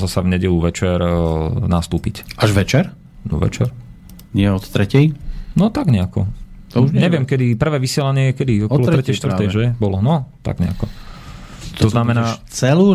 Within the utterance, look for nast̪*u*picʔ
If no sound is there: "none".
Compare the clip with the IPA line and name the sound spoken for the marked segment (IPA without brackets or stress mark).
uː